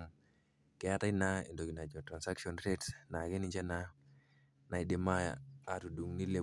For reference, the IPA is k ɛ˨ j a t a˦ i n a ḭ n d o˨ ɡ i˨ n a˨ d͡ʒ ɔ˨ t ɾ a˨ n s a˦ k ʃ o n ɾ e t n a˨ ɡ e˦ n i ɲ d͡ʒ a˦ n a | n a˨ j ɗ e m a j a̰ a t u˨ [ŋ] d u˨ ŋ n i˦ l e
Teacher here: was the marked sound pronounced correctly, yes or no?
no